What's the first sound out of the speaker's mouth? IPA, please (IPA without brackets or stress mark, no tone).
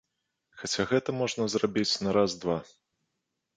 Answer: x